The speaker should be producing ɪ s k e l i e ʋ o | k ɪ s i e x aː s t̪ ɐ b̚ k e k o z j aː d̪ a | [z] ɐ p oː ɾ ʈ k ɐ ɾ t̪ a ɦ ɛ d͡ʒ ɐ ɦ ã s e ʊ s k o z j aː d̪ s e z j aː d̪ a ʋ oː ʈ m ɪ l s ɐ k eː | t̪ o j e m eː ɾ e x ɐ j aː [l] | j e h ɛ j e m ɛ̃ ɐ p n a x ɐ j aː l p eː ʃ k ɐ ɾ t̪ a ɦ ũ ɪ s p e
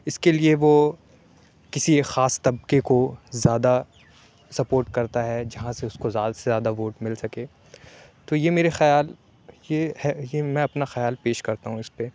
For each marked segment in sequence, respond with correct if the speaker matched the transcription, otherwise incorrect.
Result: incorrect: s, correct

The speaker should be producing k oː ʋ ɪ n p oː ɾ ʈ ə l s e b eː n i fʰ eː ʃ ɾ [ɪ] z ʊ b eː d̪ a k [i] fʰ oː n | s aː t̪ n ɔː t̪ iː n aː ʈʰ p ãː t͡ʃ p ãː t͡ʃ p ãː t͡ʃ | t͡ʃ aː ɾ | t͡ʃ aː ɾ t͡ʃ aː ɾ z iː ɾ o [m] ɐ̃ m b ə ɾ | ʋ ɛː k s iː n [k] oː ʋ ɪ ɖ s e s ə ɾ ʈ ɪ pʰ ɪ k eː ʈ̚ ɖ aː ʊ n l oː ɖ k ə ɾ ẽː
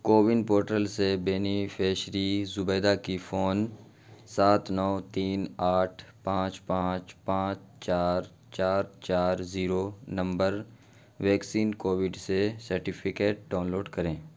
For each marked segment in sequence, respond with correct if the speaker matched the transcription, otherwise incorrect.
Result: incorrect: i, correct, incorrect: n, correct

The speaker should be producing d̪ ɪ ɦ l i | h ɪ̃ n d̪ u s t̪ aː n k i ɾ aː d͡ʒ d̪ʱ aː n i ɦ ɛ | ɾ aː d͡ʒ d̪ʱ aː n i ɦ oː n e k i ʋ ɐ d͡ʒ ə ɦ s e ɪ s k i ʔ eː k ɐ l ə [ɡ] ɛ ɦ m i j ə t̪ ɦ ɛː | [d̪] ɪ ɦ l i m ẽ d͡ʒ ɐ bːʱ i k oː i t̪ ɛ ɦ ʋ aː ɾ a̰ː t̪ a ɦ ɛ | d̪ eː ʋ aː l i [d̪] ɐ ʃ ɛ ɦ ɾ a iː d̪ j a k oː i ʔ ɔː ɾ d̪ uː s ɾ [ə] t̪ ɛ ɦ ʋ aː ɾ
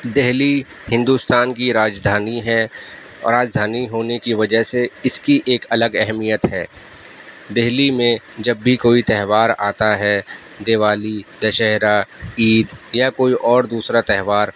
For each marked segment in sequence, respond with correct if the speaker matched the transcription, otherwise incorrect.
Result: correct, correct, correct, incorrect: a

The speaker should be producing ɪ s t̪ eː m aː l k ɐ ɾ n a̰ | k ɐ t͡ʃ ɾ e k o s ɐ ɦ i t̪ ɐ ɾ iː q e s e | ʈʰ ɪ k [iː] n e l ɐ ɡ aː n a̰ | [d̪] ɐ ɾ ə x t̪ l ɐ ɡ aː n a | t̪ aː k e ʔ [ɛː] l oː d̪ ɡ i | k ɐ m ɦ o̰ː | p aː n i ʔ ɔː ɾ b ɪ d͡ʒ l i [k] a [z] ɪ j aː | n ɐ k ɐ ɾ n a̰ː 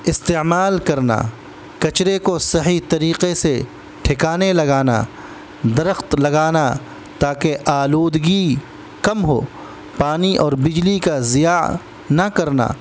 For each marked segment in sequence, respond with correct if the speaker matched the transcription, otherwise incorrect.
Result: incorrect: aː, correct, incorrect: aː, correct, correct

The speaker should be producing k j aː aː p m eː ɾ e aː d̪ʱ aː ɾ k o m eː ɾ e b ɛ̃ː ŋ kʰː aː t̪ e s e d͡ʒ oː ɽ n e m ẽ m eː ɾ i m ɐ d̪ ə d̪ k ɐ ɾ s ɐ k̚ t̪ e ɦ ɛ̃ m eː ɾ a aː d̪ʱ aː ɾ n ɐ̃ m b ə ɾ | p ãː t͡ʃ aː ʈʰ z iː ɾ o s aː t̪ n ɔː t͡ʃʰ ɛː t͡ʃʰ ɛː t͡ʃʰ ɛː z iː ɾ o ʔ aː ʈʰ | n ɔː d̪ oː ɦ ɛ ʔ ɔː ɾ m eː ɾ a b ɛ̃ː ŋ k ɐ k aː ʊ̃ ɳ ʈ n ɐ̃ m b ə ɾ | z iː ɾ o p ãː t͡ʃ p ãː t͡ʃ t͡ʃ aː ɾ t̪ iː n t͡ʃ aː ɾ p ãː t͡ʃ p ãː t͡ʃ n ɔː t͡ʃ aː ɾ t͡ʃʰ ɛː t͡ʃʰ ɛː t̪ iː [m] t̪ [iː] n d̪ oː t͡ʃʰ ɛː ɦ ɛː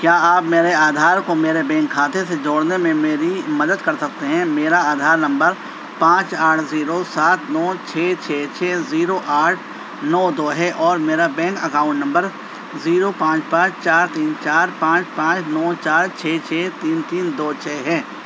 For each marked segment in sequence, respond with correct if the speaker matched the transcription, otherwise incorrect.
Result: incorrect: n, correct

